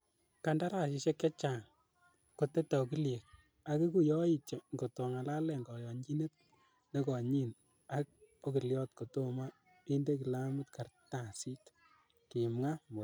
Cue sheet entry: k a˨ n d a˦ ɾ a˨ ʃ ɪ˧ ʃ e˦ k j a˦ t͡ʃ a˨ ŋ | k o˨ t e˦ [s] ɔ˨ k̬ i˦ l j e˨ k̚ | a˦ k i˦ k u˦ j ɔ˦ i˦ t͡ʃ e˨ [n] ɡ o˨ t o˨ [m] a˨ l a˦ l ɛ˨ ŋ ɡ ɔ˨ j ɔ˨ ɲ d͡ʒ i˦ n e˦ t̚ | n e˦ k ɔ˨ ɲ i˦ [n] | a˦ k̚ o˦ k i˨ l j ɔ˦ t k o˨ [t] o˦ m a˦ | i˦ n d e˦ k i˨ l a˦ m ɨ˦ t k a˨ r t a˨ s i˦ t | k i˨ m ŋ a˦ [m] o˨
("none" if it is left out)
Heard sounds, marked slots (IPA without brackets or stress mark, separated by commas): t, ŋ, ŋ, n, t, m